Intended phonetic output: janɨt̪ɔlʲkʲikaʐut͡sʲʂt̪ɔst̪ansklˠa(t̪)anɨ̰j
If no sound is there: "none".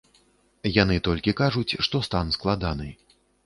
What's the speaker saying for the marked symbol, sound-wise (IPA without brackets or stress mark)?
d̪